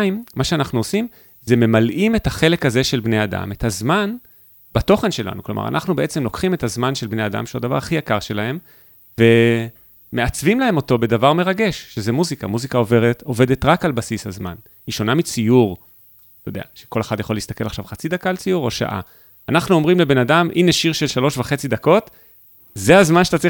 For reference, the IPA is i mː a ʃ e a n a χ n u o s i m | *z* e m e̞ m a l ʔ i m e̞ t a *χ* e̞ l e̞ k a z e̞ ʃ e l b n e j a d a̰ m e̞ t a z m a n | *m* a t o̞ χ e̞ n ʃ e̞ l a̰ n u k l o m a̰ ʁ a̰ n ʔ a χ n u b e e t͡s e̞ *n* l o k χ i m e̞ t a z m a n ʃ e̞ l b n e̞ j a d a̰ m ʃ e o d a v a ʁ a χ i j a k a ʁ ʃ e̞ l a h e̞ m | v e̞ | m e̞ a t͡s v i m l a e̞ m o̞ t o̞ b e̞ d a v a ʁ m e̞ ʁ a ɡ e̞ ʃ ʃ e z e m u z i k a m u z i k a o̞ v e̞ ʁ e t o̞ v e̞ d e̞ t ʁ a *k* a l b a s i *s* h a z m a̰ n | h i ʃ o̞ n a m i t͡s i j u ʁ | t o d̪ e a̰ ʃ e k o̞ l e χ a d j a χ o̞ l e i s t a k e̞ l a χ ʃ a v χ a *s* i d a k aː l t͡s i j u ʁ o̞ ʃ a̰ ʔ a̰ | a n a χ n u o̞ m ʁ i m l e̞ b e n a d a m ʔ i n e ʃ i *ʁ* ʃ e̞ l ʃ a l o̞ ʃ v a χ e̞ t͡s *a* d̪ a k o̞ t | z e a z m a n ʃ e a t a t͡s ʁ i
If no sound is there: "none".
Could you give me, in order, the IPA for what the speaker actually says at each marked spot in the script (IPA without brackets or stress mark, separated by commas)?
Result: z, χ, b, m, k, s, t͡s, ʁ, i